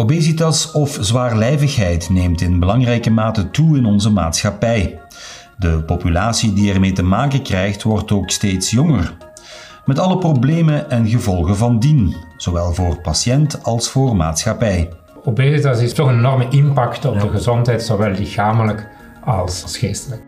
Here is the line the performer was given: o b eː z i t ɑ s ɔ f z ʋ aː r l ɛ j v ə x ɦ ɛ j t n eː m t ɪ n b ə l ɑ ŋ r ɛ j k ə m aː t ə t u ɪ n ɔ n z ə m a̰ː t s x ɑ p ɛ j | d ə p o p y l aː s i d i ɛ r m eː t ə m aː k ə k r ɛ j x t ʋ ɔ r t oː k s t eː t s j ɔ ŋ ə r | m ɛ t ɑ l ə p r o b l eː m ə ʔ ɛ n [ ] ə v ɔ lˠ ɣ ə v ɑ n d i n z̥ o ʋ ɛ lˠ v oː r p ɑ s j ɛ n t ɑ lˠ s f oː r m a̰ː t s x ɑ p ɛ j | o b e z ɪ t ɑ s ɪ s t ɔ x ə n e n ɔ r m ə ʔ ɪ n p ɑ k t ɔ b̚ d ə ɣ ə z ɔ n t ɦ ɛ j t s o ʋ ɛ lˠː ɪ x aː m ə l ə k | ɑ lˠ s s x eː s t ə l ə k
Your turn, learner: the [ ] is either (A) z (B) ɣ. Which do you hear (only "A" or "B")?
B